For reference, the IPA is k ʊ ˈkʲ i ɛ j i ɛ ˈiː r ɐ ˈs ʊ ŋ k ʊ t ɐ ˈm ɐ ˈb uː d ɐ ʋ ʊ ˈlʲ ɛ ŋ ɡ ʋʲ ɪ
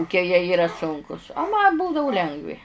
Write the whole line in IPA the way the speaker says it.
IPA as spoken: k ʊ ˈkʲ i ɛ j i ɛ ˈiː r ɐ ˈs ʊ ŋ k ʊ s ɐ ˈm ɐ ˈb uː d ɐ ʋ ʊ ˈlʲ ɛ ŋ ɡ ʋʲ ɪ